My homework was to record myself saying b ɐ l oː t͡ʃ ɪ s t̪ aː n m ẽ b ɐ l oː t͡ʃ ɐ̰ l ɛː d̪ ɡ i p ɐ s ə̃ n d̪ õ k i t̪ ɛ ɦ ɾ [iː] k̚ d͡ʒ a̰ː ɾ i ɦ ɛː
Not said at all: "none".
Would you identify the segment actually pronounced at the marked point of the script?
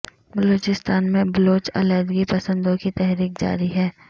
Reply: iː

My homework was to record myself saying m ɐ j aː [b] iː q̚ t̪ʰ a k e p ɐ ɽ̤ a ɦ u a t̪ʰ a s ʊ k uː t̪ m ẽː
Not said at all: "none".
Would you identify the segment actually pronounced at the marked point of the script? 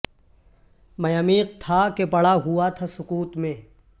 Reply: m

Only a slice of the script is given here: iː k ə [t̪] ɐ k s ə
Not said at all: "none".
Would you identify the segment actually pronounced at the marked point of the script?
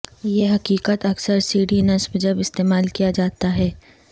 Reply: t̪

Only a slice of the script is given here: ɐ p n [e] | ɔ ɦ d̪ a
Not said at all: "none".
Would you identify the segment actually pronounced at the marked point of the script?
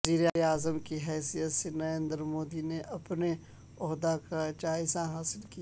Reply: e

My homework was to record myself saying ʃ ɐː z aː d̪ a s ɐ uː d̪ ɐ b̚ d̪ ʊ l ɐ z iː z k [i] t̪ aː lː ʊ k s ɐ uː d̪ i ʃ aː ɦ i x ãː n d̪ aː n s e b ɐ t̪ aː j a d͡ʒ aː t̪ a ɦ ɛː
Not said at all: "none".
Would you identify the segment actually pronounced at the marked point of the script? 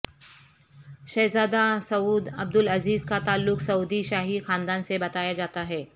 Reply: a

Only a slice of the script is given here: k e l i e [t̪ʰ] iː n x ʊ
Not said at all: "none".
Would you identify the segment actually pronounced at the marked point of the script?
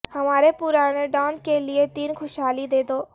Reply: t̪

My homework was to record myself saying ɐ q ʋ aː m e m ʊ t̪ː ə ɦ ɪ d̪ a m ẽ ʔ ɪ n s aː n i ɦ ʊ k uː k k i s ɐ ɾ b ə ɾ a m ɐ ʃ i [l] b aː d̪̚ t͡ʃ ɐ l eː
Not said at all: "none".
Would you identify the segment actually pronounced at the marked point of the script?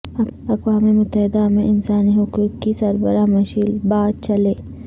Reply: l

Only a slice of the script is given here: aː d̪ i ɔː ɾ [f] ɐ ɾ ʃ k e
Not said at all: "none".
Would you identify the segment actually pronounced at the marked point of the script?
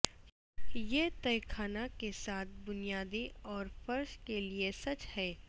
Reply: f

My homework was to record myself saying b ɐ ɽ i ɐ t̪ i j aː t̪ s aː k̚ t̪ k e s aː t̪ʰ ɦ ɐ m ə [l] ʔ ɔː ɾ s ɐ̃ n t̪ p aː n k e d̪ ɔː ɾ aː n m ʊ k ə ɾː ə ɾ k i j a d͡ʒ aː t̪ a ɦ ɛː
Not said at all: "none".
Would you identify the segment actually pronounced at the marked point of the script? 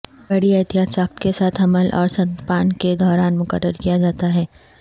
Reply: l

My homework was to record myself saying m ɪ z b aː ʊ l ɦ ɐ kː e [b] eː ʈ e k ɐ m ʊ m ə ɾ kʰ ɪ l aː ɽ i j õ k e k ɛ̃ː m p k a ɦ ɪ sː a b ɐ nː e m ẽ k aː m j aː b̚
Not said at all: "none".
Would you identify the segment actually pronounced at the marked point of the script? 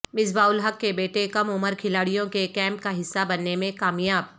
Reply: b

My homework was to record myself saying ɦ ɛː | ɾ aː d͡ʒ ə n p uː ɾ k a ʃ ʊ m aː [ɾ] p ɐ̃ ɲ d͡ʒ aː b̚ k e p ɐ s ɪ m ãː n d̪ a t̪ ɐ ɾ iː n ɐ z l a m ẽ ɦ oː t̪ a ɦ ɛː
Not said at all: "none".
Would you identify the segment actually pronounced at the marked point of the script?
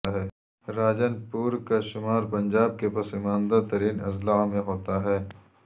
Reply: ɾ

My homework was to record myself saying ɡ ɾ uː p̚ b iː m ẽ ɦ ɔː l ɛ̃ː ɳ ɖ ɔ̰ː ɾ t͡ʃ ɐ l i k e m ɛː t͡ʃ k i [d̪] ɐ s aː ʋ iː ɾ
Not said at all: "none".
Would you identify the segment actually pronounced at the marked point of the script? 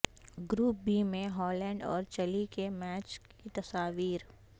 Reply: t̪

